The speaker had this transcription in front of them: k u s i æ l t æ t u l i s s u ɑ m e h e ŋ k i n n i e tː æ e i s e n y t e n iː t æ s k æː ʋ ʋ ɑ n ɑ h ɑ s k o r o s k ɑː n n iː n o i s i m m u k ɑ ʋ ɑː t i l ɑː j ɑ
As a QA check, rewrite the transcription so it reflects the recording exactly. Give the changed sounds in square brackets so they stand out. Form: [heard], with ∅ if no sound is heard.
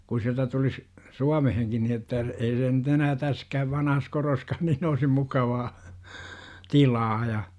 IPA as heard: k u s i æ l t æ t u l i s s u ɑ m e h e ŋ k i n n i e tː æ e i s e n y t e n [æː] t æ s k æː ʋ ʋ ɑ n ɑ h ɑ s k o r o s k ɑː n n iː n o i s i m m u k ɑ ʋ ɑː t i l ɑː j ɑ